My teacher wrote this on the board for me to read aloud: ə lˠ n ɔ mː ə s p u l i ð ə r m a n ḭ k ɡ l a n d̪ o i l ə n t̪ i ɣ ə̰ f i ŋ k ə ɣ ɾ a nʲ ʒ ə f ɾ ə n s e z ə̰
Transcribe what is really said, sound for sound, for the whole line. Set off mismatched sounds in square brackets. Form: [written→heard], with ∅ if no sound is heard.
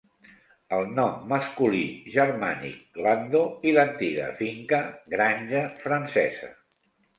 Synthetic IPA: ə lˠ n ɔ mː ə s [p→k] u l i [ð→ʒ] ə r m a n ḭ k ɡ l a n d̪ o i l ə n t̪ i ɣ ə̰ f i ŋ k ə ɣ ɾ a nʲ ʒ ə f ɾ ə n s [e→ɛ] z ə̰

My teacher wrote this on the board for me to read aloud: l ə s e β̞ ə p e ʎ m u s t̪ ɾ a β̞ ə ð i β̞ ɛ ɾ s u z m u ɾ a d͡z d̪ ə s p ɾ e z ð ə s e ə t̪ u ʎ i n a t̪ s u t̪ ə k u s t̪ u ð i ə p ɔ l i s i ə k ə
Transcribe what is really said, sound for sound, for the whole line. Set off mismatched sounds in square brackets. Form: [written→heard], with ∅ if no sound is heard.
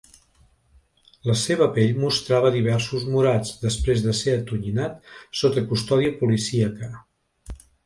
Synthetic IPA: l ə s e β̞ ə p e ʎ m u s t̪ ɾ a β̞ ə ð i β̞ ɛ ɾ s u z m u ɾ a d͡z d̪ ə s p ɾ e z ð ə s e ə t̪ u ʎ i n a t̪ s [u→o] t̪ ə k u s t̪ [u→ɔ] ð i ə p [ɔ→u] l i s i ə k ə

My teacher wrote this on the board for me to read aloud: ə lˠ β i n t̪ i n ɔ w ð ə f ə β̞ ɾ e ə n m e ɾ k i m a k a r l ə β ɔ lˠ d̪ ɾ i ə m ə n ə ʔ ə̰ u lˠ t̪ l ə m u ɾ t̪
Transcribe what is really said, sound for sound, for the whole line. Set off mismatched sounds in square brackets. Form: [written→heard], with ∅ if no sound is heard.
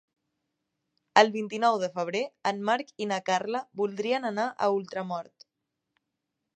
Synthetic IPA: ə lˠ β i n t̪ i n ɔ w ð ə f ə β̞ ɾ e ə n m [e→a] ɾ k i [m→n] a k a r l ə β [ɔ→u] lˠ d̪ ɾ i ə [m→n] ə n [ə→a] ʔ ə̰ u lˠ t̪ [l→ɾ] ə m [u→ɔ] ɾ t̪

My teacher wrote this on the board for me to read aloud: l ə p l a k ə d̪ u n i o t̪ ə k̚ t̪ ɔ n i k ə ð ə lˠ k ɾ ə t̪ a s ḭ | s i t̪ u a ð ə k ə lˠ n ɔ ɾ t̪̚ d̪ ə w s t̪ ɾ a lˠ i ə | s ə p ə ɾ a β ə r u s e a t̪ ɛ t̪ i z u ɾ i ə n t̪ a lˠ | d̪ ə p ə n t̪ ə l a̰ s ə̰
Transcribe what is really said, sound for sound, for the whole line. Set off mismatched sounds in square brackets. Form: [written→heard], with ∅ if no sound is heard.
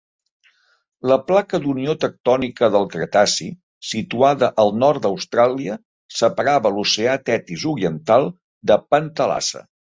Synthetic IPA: l ə p l a k ə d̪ u n i o t̪ ə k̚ t̪ ɔ n i k ə ð ə lˠ k ɾ ə t̪ a s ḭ | s i t̪ u a ð ə [k→ʔ] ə lˠ n ɔ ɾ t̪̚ d̪ ə w s t̪ ɾ a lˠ i ə | s ə p ə ɾ a β ə [r→l] u s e a t̪ ɛ t̪ i z u ɾ i ə n t̪ a lˠ | d̪ ə p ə n t̪ ə l a̰ s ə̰

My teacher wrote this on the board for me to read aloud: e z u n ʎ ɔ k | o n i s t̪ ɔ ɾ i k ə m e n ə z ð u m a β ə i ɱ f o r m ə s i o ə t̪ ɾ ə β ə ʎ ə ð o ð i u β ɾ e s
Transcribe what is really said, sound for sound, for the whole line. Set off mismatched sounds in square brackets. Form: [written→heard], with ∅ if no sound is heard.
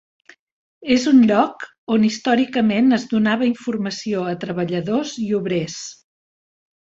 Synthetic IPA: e z u n ʎ ɔ k | o n i s t̪ ɔ ɾ i k ə m e n ə z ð u [m→n] a β ə i ɱ f [o→u] r m ə s i o ə t̪ ɾ ə β ə ʎ ə ð o [ð→z] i u β ɾ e s

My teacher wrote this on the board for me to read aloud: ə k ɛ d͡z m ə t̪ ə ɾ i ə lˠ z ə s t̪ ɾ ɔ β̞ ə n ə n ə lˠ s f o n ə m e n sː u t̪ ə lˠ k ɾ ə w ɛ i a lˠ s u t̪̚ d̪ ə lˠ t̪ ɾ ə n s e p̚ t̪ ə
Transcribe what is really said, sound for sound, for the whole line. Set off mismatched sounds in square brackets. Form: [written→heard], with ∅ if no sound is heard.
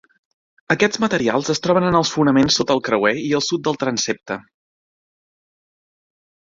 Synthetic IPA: ə k ɛ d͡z m ə t̪ ə ɾ i [ə→a] lˠ z ə s t̪ ɾ ɔ β̞ ə n ə n ə lˠ s f [o→u] n ə m e n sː [u→o] t̪ ə lˠ k ɾ ə w ɛ i [a→ə] lˠ s u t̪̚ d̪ ə lˠ t̪ ɾ ə n s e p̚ t̪ ə

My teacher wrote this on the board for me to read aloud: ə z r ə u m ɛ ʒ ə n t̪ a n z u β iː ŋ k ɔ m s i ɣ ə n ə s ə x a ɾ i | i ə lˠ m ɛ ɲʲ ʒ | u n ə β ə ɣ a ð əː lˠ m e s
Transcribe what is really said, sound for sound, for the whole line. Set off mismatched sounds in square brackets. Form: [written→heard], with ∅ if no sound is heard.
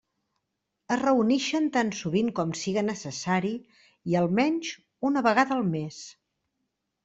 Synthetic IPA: ə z r ə u [m→n] ɛ [ʒ→ʃ] ə n t̪ a n [z→s] u β [iː→i] ŋ k ɔ m s i ɣ ə n ə s ə [x→s] a ɾ i | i ə lˠ m ɛ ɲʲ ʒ | u n ə β ə ɣ a ð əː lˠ m e s

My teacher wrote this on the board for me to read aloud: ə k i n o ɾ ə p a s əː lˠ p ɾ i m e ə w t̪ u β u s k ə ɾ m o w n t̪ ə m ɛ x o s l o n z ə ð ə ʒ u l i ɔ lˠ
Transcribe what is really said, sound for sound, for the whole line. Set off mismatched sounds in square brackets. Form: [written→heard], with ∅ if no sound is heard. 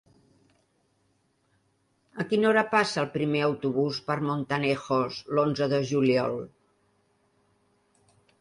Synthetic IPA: ə k i n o ɾ ə p a s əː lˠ p ɾ i m e ə w t̪ u β u s [k→p] ə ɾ m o [w→∅] n t̪ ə [m→n] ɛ x o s l o n z ə ð ə ʒ u l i ɔ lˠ

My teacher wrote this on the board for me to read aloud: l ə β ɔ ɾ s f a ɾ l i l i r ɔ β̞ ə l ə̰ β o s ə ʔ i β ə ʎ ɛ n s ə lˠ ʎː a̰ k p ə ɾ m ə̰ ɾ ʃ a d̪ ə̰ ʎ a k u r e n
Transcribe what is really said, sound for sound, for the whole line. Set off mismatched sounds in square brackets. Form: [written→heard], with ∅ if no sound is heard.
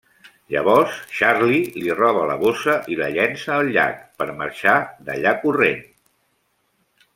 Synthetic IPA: [l→ʎ] ə β ɔ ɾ s [f→ʃ] a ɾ l i l i r ɔ β̞ ə l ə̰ β o s ə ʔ i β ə ʎ ɛ n s [ə→əː] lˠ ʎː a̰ k p ə ɾ m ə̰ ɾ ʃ a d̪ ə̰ ʎ a k u r e n

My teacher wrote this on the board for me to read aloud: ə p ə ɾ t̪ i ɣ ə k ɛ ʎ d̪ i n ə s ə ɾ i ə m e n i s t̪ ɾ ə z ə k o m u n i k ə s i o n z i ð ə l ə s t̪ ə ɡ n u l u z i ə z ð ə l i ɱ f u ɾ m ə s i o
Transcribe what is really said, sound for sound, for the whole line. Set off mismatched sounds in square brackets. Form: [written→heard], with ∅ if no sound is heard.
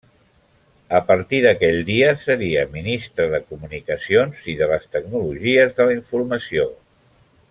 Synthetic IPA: ə p ə ɾ t̪ i [ɣ→ð] ə k ɛ ʎ d̪ i [n→∅] ə s ə ɾ i ə m [e→i] n i s t̪ ɾ ə [z→ð] ə k [o→u] m u n i k ə s i o n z i ð ə l ə s t̪ ə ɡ n u l u [z→ʒ] i ə z ð ə l i ɱ f u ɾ m ə s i o

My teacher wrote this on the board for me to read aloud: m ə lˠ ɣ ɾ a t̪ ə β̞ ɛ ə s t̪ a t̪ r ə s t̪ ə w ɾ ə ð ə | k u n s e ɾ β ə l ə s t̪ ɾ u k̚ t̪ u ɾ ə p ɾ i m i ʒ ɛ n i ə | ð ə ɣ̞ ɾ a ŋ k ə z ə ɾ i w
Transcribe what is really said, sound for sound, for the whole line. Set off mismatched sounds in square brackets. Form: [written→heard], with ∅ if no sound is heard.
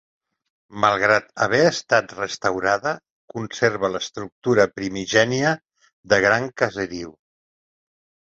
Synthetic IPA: m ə lˠ ɣ ɾ a t̪ ə β̞ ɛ ə s t̪ a t̪ r ə s t̪ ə w ɾ [ə→a] ð ə | k u n s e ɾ β ə l ə s t̪ ɾ u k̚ t̪ u ɾ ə p ɾ i m i ʒ ɛ n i ə | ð ə ɣ̞ ɾ a ŋ k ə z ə ɾ i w

